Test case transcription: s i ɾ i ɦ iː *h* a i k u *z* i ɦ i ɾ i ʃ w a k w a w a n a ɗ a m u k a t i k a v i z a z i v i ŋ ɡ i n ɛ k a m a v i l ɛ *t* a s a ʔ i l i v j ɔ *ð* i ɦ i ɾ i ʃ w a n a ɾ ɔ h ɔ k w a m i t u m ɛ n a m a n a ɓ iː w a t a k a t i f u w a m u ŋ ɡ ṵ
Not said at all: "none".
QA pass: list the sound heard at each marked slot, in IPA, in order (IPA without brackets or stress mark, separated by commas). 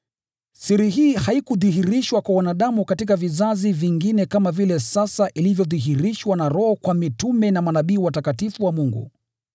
h, ð, s, ð